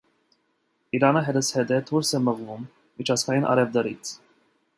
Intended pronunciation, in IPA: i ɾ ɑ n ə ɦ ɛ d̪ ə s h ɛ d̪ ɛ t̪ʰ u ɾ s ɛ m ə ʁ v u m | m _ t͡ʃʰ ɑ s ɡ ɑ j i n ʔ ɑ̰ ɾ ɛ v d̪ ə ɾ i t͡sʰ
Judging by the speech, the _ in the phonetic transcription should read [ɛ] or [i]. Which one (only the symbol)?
i